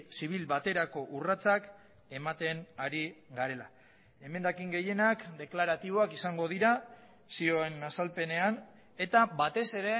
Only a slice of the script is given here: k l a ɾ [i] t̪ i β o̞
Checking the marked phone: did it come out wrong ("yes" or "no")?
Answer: yes